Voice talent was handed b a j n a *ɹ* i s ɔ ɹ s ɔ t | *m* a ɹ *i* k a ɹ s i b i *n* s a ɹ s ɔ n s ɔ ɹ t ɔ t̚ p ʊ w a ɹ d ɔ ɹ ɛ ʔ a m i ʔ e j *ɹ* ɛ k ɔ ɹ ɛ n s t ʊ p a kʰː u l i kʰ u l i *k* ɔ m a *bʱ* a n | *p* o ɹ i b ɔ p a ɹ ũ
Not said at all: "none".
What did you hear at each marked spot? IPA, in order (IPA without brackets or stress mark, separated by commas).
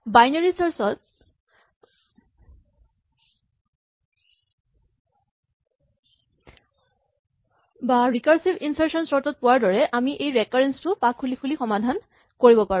ɹ, b, i, n, ɹ, x, dʱ, k